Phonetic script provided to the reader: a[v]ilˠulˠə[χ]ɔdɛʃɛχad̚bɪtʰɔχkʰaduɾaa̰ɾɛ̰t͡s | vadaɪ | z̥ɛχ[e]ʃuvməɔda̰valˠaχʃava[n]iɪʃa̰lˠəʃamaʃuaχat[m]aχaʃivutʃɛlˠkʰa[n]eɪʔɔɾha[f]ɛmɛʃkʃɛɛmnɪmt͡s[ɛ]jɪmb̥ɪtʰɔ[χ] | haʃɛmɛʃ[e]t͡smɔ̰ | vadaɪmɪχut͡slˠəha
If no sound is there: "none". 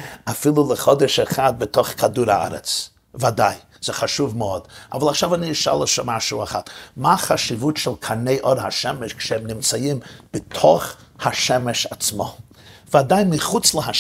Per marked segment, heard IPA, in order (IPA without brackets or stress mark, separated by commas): f, χ, a, n, m, n, ʃ, a, χ, a